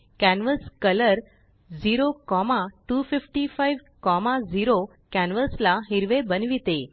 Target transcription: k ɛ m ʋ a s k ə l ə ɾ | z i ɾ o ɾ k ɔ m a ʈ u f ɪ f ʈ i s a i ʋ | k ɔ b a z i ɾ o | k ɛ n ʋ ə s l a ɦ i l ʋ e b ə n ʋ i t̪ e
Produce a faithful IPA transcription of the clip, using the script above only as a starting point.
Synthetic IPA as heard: k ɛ n ʋ ə s k ə l ə ɾ | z i ɾ o k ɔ m a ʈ u f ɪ f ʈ i f a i ʋ | k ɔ m a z i ɾ o | k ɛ n ʋ ə s l a ɦ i ɾ ʋ e b ə n ʋ i t̪ e